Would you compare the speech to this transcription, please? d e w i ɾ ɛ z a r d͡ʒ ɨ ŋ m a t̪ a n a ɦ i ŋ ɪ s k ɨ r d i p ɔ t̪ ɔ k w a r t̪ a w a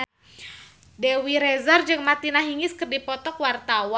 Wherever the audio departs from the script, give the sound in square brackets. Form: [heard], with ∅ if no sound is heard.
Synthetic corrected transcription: d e w i ɾ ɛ z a r d͡ʒ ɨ ŋ m a t̪ [i] n a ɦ i ŋ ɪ s k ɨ r d i p ɔ t̪ ɔ k w a r t̪ a w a